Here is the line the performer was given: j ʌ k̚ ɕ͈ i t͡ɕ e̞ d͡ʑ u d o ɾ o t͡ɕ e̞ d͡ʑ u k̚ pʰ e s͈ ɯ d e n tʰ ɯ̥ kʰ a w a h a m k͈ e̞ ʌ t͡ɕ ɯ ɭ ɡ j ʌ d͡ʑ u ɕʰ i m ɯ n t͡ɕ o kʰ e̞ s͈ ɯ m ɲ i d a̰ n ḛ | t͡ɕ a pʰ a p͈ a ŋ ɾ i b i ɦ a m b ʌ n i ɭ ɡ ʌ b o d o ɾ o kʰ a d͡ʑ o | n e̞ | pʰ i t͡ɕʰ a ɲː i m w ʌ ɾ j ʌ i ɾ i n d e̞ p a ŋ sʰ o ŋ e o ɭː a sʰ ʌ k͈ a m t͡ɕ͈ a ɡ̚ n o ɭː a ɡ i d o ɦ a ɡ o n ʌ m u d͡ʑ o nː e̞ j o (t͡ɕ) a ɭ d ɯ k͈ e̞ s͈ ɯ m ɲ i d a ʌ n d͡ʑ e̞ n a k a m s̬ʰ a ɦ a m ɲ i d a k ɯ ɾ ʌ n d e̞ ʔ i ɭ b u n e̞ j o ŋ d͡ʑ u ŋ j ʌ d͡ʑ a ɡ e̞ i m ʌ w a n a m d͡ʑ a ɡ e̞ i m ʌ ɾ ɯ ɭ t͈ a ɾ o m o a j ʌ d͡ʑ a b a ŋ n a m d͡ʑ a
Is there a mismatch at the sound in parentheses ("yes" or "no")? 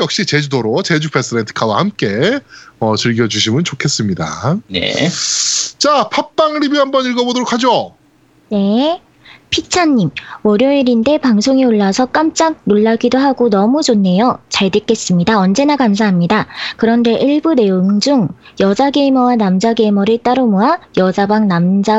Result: no